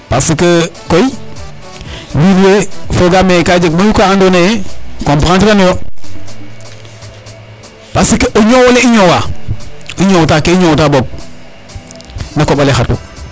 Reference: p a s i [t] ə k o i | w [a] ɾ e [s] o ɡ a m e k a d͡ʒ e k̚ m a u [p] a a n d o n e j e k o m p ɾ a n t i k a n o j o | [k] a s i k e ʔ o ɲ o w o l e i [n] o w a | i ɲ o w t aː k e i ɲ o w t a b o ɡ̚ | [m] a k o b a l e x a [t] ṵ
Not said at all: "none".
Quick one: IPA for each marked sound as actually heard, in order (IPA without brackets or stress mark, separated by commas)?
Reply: k, i, f, k, p, ɲ, n, t